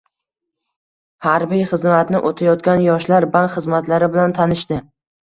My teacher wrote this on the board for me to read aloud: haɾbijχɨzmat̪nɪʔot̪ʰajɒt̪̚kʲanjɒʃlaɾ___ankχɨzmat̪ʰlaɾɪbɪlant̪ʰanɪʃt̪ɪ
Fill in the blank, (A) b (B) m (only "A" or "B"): A